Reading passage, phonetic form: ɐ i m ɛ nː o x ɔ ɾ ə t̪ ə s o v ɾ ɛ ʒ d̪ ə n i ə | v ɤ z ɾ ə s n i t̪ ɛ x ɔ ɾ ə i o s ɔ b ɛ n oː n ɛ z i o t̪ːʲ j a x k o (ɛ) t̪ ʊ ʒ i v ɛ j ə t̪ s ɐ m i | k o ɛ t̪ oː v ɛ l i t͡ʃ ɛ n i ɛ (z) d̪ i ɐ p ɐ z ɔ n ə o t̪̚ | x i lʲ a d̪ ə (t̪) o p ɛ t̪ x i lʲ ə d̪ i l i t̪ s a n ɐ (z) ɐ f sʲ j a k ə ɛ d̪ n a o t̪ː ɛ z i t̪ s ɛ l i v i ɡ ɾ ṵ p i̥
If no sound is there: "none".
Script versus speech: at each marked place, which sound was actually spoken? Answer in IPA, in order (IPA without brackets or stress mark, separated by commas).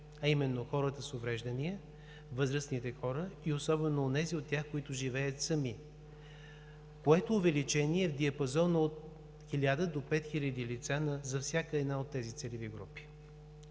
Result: i, v, d̪, z